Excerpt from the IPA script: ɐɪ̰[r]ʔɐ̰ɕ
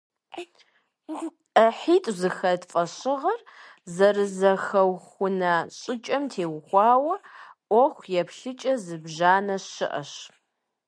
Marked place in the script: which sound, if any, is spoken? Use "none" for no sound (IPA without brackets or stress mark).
none